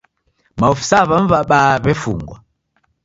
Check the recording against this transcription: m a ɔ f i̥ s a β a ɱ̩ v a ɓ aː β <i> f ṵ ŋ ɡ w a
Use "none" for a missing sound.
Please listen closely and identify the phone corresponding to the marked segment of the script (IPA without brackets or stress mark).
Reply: ɛ